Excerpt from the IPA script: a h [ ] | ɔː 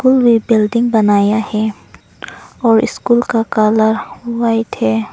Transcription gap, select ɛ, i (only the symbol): ɛ